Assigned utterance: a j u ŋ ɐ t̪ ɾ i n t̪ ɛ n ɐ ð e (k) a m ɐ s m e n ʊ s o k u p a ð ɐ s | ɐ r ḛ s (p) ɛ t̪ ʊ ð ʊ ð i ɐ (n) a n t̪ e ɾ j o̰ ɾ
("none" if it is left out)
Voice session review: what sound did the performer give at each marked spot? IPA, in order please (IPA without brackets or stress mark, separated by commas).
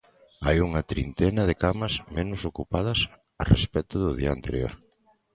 k, p, none